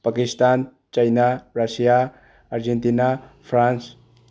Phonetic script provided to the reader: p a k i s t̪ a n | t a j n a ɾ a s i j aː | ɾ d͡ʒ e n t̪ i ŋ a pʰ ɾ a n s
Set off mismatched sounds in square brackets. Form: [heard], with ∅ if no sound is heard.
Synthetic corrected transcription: p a k i s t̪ a n | [t͡ʃ] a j n a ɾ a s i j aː | ɾ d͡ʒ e n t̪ i [n] a pʰ ɾ a n s